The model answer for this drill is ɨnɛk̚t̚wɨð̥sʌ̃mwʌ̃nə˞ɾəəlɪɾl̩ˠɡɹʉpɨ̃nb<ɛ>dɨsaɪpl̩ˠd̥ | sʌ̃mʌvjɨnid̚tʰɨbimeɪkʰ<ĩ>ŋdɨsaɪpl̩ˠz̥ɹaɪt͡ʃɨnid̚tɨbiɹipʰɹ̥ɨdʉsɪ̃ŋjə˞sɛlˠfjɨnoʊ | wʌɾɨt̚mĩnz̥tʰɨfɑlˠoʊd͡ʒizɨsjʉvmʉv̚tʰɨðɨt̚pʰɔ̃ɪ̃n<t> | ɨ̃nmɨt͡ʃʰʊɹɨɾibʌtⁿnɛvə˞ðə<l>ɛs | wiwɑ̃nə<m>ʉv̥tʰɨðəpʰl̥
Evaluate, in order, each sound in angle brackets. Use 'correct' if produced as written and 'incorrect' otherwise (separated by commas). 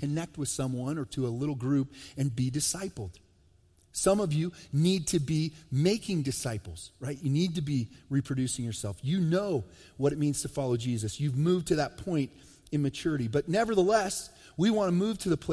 incorrect, incorrect, correct, correct, correct